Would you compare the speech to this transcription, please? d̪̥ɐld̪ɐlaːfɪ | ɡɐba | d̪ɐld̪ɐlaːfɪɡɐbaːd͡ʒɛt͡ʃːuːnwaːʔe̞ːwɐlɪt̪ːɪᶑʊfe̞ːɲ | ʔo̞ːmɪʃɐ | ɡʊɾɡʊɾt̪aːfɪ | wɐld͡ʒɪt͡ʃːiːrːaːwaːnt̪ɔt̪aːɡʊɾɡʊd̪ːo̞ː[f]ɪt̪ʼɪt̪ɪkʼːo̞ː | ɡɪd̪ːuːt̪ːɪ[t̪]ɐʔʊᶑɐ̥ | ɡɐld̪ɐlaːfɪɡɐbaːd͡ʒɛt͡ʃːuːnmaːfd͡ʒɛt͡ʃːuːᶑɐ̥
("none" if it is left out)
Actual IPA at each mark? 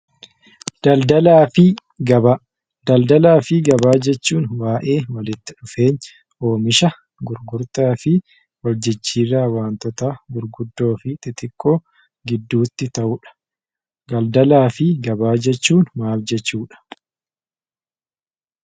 f, t̪

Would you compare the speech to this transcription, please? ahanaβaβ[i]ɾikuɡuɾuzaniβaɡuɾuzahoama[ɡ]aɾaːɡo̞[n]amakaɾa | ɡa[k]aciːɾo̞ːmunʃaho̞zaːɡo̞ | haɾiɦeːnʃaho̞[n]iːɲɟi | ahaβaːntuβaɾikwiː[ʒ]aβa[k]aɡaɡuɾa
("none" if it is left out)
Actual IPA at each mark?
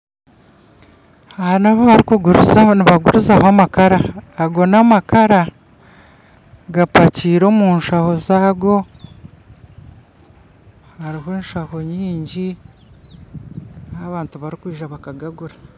a, k, n, p, ɲ, ʒ, k

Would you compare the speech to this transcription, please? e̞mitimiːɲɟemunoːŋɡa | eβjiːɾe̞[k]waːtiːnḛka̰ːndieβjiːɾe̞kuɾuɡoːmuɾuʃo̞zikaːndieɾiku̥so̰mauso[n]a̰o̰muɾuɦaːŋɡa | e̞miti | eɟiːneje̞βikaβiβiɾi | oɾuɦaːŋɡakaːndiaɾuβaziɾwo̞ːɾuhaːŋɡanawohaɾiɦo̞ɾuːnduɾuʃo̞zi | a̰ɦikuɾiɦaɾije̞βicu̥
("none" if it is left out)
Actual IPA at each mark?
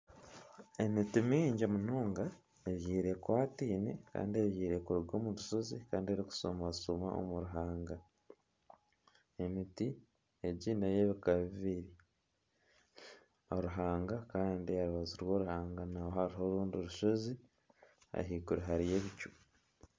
k, m

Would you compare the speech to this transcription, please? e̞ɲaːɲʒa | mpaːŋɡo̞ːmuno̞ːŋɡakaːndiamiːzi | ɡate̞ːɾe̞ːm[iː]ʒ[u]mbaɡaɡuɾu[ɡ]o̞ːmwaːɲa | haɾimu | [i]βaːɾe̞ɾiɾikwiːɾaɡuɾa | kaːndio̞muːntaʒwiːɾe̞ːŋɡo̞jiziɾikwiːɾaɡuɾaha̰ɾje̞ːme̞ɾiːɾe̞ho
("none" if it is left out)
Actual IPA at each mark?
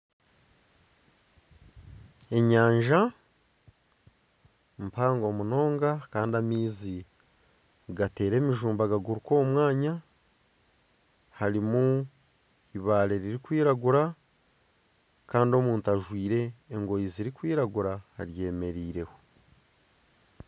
i, uː, k, i

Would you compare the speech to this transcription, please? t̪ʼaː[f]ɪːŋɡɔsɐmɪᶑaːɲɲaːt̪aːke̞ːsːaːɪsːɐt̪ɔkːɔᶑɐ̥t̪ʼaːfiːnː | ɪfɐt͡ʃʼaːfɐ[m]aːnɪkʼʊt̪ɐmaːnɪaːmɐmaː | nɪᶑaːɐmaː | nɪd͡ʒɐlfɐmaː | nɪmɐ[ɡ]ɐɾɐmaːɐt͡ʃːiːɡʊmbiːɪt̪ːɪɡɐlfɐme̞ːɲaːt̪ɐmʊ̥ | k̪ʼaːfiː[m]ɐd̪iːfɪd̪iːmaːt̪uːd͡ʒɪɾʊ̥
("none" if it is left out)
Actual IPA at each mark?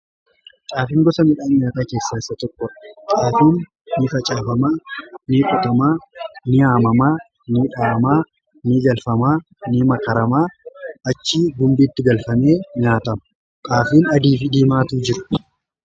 f, m, k, n

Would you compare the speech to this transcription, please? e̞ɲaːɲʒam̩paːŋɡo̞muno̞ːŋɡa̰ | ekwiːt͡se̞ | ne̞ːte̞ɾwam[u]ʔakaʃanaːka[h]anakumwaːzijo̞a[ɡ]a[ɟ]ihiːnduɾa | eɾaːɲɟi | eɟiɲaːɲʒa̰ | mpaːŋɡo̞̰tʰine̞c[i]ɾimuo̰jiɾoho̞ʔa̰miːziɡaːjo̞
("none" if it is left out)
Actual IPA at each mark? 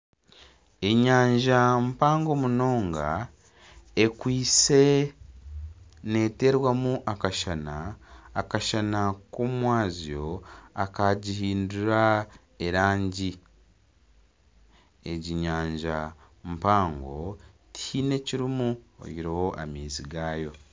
u, ʃ, k, ɟ, i

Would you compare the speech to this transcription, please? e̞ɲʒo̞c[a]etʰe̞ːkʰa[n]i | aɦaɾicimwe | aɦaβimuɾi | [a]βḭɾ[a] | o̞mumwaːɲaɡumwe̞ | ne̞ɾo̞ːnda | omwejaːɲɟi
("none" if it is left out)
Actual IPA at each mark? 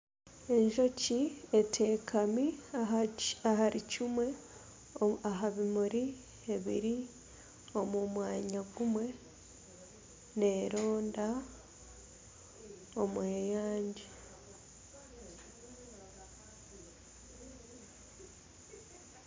i, m, e, i

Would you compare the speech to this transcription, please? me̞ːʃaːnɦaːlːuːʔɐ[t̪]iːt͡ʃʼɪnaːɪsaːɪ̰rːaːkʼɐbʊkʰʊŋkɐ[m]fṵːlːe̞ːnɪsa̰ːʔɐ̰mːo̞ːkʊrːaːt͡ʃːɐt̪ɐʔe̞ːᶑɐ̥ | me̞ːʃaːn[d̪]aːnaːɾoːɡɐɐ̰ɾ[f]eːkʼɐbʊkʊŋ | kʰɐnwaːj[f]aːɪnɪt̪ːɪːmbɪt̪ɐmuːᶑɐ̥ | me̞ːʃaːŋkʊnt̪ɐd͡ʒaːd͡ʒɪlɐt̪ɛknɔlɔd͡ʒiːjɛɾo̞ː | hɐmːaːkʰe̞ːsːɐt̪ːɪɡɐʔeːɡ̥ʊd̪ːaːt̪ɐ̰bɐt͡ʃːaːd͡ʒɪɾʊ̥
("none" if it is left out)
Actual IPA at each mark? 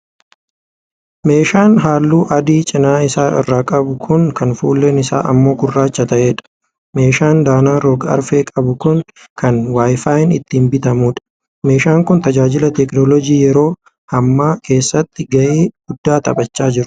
d̪, n, d̪, f, f

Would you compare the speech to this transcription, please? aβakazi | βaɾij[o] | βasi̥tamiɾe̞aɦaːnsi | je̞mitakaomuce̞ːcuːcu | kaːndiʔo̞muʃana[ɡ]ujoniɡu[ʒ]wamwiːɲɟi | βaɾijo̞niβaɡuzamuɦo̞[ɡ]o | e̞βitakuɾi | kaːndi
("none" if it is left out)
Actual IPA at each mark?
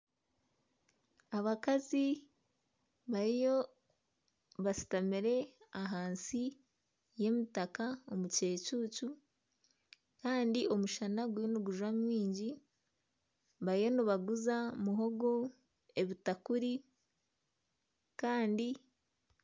o, ɡ, ʒ, ɡ

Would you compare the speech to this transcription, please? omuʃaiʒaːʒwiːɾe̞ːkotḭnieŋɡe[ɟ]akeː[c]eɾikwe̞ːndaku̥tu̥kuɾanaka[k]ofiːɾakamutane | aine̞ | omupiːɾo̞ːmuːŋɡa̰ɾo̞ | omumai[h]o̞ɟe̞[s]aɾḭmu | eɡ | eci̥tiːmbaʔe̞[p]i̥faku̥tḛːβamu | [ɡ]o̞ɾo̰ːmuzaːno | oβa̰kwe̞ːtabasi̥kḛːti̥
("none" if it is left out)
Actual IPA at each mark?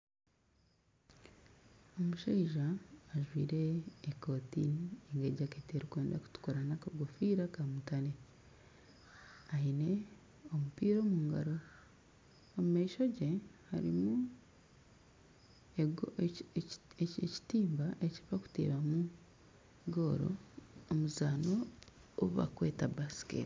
ɟ, t, ɡ, ʃ, h, c, ɡ

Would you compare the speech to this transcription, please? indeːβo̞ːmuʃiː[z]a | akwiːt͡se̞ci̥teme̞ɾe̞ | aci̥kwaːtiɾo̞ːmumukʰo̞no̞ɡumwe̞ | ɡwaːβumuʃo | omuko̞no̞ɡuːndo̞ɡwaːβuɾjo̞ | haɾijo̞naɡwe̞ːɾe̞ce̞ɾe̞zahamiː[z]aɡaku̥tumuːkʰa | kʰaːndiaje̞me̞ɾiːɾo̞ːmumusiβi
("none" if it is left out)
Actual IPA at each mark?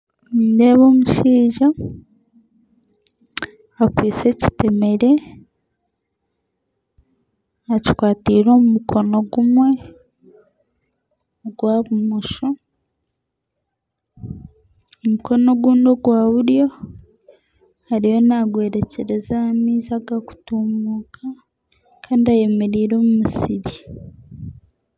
ʒ, z

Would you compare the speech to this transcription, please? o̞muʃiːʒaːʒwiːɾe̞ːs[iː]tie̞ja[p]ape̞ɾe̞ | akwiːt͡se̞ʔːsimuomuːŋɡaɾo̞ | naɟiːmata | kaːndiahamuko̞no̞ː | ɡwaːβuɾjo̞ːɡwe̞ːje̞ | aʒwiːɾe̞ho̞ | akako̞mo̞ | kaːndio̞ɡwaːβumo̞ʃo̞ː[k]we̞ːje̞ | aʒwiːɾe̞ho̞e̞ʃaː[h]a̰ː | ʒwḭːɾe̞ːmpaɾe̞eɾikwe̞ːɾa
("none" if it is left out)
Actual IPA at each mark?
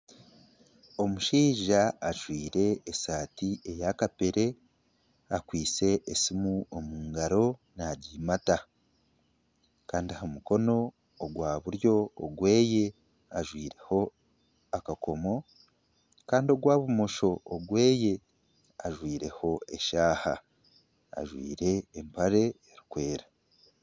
aː, k, ɡ, h

